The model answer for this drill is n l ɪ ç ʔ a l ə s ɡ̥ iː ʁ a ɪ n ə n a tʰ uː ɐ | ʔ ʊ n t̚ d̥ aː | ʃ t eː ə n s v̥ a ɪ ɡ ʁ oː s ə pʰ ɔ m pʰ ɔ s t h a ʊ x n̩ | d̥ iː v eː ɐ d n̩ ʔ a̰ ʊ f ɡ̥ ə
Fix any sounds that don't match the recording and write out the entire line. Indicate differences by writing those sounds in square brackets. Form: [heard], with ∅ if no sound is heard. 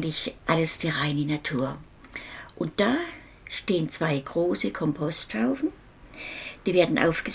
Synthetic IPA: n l ɪ ç ʔ a l ə s [d̥] iː ʁ a ɪ n ə n a tʰ uː ɐ | ʔ ʊ n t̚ d̥ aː | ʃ t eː ə n [t͡s] v̥ a ɪ ɡ ʁ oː s ə [kʰ] ɔ m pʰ ɔ s t h a ʊ [f] n̩ | d̥ iː v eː ɐ d n̩ ʔ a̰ ʊ f ɡ̥ ə